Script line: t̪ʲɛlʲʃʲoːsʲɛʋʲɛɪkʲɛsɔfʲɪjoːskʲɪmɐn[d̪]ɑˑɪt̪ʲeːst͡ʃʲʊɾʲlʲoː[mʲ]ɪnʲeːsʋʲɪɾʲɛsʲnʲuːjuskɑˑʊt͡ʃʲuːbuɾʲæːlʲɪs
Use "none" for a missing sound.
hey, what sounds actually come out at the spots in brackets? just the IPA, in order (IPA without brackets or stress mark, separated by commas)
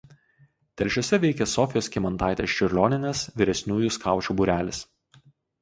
t̪, nʲ